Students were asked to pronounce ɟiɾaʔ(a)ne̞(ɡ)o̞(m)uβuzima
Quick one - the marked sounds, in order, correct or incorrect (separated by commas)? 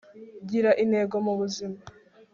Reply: incorrect, correct, correct